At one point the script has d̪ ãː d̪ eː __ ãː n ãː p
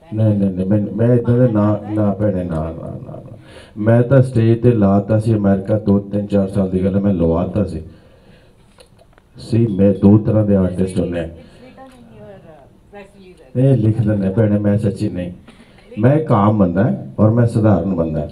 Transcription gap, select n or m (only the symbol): n